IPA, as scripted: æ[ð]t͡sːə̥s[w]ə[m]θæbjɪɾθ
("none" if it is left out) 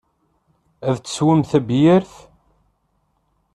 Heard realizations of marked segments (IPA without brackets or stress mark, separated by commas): ð, w, m